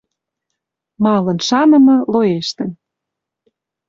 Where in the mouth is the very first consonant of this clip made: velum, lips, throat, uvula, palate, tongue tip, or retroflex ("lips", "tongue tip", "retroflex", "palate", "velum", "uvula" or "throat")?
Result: lips